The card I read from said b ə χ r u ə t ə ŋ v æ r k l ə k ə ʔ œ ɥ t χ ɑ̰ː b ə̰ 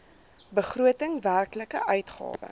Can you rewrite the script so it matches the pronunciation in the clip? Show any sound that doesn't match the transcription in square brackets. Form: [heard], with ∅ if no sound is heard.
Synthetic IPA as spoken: b ə χ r u ə t ə ŋ v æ r k l ə k ə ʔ œ ɥ t χ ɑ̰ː [v] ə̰